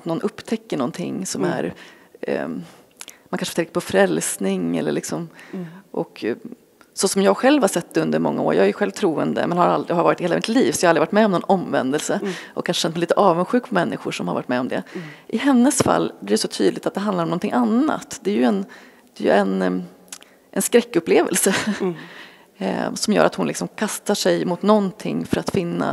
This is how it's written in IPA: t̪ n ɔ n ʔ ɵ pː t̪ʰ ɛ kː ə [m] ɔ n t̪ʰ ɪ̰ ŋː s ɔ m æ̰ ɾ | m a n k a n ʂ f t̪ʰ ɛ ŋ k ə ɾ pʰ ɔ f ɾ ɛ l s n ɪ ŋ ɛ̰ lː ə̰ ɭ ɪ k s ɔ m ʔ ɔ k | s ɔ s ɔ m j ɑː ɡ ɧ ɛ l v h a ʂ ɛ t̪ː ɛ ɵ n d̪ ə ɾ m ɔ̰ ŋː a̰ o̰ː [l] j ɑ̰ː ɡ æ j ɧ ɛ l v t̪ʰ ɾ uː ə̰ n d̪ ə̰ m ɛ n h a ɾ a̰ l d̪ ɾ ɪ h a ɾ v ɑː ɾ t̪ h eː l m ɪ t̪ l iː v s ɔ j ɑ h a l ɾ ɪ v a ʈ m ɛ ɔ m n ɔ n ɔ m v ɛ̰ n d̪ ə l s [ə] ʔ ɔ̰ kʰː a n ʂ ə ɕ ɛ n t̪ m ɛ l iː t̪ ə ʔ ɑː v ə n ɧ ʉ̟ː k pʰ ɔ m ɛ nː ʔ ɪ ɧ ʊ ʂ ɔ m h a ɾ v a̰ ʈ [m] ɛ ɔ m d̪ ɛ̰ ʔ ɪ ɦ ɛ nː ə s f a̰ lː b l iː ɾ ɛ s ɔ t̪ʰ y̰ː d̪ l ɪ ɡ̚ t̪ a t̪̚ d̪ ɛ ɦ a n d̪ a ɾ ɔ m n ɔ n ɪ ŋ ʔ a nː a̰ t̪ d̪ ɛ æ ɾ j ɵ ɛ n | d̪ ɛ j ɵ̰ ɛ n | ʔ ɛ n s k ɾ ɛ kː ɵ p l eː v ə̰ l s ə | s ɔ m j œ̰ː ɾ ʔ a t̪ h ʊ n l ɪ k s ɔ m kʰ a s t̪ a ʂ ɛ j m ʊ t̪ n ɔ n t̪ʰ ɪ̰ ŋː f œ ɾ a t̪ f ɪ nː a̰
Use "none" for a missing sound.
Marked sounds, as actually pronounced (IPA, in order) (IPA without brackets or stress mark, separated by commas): ɳ, ɾ, ə, m